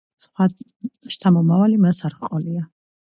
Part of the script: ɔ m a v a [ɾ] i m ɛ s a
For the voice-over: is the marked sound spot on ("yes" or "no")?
no